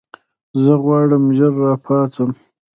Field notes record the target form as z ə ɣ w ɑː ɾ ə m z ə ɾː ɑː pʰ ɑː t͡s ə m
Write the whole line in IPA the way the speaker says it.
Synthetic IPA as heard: z ə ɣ w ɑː ɽ ə m ʒ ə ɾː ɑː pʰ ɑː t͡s ə m